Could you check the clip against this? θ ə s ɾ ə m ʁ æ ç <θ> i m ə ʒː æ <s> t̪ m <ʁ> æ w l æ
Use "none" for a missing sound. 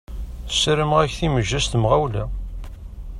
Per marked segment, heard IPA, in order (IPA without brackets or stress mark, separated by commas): θ, s, ʁ